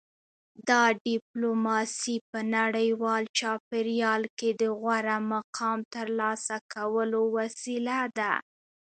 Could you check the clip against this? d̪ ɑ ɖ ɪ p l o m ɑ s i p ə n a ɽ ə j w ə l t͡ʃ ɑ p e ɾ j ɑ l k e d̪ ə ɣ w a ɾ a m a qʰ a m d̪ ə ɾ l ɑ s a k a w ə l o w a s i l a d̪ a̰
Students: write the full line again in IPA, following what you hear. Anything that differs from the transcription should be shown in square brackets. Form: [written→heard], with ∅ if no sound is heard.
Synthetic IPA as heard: d̪ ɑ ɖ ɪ p l o m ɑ s i p ə n a ɽ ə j w [ə→ɑ] l t͡ʃ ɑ p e ɾ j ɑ l k e d̪ ə ɣ w a ɾ a m a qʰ [a→ɑ] m [d̪→t̪] ə ɾ l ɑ s a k a w ə l o w a s i l a d̪ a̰